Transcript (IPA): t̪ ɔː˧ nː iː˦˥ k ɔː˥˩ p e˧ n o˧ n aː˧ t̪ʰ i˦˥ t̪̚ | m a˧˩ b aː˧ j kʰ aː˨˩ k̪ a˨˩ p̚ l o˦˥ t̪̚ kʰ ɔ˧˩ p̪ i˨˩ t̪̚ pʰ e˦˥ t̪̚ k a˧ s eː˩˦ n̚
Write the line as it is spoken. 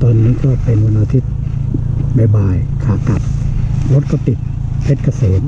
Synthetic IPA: t̪ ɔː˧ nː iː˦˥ k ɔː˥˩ p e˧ n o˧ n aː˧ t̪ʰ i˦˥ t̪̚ | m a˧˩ b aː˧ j kʰ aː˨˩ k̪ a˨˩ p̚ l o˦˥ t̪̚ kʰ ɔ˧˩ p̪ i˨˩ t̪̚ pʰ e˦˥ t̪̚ k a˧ s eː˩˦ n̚